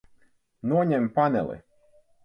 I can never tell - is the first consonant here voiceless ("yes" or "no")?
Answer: no